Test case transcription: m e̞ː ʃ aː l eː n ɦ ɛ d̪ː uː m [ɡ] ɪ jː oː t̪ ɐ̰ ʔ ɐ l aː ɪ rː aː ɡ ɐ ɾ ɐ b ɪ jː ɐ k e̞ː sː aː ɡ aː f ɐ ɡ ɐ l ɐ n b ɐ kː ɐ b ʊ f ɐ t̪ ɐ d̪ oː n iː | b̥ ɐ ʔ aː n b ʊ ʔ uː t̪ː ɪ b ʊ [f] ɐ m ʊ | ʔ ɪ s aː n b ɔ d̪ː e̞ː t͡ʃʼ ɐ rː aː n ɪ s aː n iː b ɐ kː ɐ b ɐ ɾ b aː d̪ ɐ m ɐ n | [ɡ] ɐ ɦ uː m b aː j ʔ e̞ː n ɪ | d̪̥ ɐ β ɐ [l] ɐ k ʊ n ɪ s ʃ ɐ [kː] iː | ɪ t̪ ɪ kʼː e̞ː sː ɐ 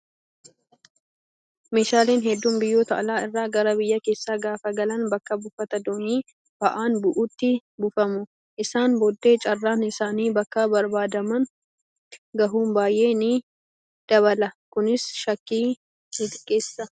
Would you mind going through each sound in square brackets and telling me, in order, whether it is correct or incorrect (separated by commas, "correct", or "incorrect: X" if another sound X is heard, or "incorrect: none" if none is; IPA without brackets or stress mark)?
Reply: incorrect: b, correct, correct, correct, correct